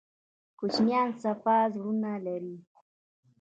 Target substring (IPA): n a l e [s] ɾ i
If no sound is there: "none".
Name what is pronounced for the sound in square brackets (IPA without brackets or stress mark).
none